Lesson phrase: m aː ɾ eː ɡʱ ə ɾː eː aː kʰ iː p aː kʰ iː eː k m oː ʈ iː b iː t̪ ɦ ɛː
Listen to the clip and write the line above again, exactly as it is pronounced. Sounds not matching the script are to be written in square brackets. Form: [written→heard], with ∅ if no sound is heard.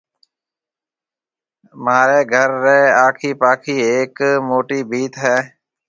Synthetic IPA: m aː ɾ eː ɡʱ ə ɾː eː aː kʰ iː p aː kʰ iː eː k m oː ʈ iː b iː t̪ ɦ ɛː